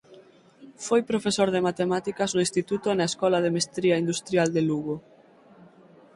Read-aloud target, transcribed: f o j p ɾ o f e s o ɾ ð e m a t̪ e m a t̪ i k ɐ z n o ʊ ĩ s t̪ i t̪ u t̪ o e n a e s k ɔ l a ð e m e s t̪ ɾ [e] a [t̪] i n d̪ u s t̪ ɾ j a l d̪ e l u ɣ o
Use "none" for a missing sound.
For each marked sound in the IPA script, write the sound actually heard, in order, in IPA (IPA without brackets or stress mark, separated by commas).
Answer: i, none